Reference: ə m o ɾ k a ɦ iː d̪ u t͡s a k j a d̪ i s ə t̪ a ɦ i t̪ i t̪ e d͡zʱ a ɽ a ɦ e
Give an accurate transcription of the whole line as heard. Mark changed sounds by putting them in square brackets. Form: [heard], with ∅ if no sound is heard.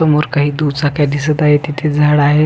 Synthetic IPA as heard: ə m o ɾ k a ɦ iː d̪ u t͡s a k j a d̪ i s ə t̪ a ɦ [e] t̪ i [t̪ʰ] e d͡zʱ a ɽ a ɦ e